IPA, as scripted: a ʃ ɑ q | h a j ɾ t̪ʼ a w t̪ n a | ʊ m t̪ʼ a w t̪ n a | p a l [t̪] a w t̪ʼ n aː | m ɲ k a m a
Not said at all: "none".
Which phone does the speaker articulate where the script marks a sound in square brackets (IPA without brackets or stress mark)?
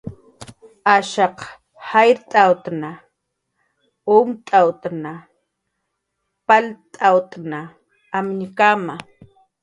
t̪ʼ